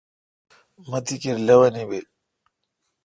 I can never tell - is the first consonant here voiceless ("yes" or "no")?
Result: no